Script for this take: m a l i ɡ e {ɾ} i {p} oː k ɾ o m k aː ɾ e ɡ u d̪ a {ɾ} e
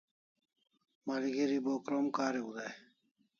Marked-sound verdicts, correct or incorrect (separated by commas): correct, incorrect, incorrect